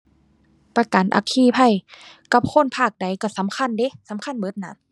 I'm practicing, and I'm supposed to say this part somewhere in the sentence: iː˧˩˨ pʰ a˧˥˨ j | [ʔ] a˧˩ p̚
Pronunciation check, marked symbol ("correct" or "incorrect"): incorrect